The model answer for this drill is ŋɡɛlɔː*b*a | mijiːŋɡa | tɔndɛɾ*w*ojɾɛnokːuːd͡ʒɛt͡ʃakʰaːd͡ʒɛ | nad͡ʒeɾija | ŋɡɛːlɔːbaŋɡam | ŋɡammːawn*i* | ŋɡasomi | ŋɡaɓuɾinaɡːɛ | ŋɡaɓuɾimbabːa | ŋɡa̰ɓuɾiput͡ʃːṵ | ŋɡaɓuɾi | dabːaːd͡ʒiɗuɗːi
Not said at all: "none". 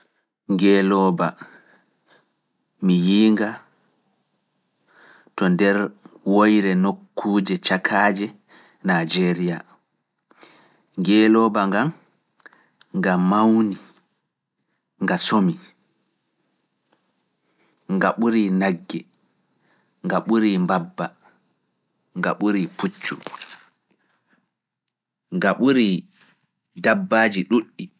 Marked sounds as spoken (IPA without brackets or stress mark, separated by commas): b, w, i